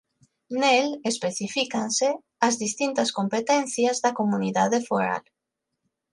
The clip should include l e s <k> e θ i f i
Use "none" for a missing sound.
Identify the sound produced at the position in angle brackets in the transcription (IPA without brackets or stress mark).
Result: p